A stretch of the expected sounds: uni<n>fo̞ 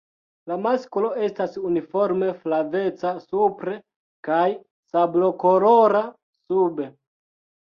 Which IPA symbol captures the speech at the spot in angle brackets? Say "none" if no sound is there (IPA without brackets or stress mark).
none